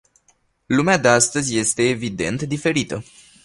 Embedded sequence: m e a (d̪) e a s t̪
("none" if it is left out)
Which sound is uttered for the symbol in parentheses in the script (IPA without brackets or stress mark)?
d̪